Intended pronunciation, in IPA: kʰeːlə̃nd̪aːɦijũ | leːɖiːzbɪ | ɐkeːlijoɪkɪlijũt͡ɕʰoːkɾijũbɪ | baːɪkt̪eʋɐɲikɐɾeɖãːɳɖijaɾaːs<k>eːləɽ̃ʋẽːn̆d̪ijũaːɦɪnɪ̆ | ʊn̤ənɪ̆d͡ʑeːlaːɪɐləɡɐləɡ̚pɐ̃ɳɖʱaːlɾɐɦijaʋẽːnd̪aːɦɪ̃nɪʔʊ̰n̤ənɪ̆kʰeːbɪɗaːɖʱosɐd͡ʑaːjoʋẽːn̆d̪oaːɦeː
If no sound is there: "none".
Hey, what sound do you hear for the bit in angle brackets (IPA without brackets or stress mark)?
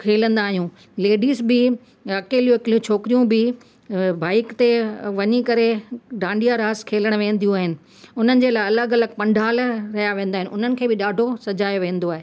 kʰ